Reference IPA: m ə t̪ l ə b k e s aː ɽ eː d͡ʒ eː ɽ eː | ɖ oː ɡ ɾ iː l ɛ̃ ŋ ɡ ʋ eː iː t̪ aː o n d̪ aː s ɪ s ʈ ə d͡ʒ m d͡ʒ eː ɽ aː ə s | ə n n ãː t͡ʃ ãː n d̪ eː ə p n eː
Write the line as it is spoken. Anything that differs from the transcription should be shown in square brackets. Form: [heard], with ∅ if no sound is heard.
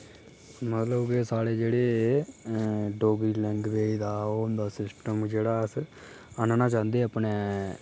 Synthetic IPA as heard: m ə t̪ l ə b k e s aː ɽ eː d͡ʒ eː ɽ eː | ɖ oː ɡ ɾ iː l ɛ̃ ŋ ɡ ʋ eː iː [d̪] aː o n d̪ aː s ɪ s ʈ ə [∅] m d͡ʒ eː ɽ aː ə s | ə n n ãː t͡ʃ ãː n d̪ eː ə p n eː